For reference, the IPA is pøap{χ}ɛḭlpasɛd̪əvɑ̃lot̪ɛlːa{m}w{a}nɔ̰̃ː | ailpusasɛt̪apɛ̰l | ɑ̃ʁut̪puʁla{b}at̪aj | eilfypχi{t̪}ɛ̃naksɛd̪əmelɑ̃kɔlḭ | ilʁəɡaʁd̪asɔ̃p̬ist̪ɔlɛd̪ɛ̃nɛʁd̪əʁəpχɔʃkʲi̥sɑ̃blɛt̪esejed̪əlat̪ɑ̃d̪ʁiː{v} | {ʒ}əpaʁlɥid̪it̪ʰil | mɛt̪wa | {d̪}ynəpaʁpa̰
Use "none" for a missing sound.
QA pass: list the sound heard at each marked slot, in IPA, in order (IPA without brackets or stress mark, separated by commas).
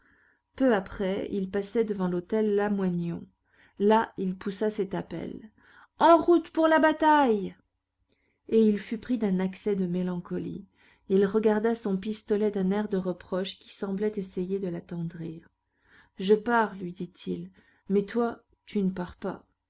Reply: χ, m, a, b, d̪, ʁ, ʒ, t̪